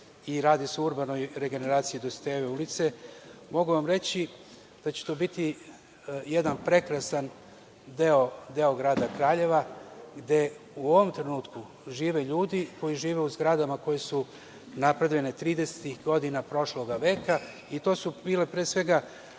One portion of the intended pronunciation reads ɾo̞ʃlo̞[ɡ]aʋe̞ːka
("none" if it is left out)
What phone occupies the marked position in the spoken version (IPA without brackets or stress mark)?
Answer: ɡ